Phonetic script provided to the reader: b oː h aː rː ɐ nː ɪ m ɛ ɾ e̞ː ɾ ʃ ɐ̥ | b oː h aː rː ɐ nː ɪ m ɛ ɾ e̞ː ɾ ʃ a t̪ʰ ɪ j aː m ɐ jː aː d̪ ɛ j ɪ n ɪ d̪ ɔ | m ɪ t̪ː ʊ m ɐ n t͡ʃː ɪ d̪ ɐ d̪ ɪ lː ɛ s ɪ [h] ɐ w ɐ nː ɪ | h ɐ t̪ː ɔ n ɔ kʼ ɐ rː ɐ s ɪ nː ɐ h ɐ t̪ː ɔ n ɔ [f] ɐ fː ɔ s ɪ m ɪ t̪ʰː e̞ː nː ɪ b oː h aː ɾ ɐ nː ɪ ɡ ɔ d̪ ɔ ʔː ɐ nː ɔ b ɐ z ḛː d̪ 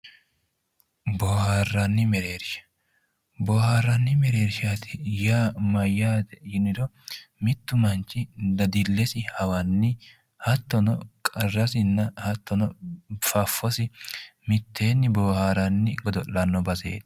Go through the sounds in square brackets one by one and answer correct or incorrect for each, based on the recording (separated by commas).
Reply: correct, correct